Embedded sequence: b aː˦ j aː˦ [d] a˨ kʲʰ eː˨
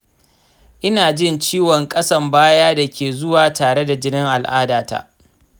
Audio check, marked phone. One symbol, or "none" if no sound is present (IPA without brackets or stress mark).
d